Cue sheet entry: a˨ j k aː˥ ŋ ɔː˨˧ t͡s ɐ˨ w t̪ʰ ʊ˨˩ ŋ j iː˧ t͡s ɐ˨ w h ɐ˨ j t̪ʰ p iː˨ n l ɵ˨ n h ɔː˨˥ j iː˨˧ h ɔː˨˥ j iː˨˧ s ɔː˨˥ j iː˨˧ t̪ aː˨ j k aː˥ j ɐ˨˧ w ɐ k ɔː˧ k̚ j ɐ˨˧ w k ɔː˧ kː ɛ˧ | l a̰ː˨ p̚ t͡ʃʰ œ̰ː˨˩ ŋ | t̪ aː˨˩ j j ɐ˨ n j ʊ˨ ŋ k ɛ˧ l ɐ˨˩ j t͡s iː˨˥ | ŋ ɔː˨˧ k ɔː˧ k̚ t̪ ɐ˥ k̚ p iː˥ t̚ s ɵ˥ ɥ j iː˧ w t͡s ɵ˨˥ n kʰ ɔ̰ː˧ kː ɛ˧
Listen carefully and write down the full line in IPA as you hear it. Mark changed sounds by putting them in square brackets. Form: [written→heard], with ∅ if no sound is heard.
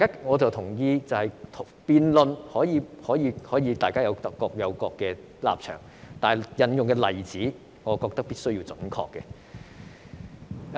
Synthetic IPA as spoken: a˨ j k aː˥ ŋ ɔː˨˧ t͡s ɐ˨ w t̪ʰ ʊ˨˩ ŋ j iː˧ t͡s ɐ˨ w h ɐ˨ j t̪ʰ p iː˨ n l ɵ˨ n h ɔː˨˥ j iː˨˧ h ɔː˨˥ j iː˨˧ [s→h] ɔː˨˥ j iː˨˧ t̪ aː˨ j k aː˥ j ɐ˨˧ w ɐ k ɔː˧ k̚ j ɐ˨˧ w k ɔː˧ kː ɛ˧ | l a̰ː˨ p̚ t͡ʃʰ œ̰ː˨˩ ŋ | t̪ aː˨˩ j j ɐ˨ n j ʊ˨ ŋ k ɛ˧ l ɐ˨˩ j t͡s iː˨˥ | ŋ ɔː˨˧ k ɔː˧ k̚ t̪ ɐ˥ k̚ p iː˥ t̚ s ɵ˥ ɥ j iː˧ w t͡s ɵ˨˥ n kʰ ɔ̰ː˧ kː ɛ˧